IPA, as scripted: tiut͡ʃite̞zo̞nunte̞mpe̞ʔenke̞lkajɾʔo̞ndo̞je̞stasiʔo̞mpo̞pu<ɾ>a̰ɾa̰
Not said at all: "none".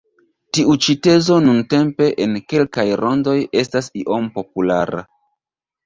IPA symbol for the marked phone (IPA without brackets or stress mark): l